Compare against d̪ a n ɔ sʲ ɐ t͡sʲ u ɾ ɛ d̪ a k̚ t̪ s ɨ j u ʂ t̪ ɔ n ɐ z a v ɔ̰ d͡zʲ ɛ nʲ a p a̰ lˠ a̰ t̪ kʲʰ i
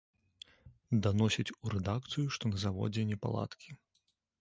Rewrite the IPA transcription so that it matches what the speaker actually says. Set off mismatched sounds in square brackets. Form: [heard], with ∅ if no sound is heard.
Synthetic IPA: d̪ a n ɔ sʲ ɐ t͡sʲ u ɾ ɛ d̪ a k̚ t̪ s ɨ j u ʂ t̪ ɔ n ɐ z a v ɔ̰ d͡zʲ ɛ nʲ [ɛ] p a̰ lˠ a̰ t̪ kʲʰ i